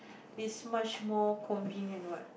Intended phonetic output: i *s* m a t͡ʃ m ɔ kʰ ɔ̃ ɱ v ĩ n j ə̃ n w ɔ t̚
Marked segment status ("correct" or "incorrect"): correct